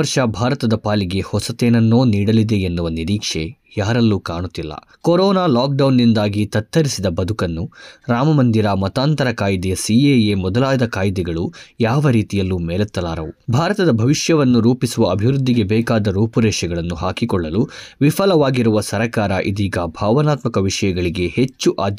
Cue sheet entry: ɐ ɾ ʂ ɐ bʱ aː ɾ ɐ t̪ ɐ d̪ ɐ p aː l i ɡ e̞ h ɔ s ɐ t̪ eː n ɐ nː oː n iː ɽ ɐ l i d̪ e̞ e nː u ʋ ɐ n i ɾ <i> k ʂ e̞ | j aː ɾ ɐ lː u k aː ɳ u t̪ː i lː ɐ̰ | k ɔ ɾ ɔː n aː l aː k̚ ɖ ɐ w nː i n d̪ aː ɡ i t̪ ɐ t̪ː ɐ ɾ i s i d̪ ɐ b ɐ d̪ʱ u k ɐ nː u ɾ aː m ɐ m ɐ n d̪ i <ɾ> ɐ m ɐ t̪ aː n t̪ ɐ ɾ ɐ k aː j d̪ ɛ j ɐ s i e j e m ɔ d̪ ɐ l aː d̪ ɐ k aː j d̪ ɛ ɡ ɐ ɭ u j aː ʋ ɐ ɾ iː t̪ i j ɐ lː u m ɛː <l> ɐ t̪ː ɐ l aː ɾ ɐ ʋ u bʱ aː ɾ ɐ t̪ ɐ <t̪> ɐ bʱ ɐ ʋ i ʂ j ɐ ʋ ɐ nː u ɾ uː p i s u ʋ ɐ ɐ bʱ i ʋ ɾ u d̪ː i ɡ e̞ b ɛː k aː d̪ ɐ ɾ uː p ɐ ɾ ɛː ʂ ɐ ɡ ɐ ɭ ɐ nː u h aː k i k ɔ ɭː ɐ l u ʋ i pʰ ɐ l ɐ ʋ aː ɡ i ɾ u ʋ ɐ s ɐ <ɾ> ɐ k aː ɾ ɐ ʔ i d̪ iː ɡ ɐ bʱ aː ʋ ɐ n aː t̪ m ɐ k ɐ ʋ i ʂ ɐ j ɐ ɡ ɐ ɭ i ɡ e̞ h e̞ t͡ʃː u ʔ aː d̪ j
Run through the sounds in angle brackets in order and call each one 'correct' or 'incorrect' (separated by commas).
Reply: incorrect, correct, correct, incorrect, correct